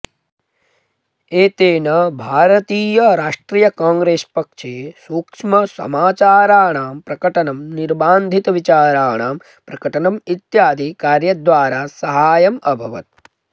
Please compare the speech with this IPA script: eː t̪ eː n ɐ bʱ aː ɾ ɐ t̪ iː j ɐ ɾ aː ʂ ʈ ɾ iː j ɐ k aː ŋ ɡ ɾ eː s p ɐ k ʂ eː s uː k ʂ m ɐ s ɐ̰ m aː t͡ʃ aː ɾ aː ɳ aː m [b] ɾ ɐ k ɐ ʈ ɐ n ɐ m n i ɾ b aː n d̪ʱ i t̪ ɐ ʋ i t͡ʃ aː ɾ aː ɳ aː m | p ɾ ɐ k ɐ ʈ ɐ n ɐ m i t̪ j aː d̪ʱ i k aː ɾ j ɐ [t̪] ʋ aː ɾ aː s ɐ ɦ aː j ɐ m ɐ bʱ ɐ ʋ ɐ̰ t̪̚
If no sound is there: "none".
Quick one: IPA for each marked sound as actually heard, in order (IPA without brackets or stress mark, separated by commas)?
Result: p, d̪